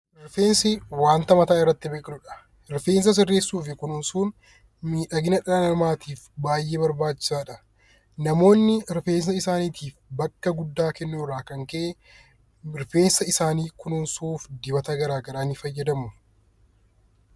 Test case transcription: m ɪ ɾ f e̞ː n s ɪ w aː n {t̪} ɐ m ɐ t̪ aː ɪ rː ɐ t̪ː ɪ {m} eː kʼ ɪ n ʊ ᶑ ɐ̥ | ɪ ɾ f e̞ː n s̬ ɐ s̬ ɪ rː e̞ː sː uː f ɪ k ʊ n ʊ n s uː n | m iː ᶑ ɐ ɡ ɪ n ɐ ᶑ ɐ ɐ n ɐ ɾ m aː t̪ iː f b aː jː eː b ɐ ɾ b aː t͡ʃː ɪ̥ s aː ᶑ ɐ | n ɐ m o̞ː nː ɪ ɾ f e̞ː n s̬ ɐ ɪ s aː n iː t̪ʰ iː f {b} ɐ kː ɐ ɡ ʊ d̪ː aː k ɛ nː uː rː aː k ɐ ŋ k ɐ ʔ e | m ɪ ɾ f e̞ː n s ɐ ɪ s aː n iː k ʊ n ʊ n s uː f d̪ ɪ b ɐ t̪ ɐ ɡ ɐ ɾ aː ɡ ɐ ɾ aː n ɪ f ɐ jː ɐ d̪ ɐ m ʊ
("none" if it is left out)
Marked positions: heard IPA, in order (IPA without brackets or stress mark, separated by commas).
t̪, b, b